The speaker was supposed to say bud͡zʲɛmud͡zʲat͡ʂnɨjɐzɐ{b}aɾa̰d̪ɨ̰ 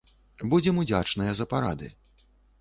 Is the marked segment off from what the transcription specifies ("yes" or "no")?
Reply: yes